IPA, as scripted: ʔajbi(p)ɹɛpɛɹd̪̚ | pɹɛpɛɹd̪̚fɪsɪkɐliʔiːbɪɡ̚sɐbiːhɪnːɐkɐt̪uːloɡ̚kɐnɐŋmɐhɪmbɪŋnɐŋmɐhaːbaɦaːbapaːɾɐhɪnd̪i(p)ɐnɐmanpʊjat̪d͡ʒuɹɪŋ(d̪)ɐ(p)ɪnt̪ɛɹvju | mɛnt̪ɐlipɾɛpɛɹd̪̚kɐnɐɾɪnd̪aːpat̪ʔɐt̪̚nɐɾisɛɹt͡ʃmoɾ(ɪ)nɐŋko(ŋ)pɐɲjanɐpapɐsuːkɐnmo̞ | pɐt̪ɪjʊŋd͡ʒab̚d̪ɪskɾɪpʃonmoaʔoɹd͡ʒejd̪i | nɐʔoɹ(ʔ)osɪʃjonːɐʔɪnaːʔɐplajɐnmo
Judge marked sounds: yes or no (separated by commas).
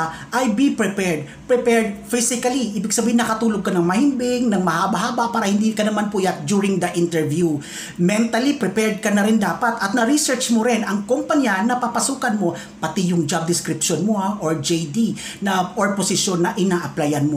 yes, no, yes, no, yes, no, no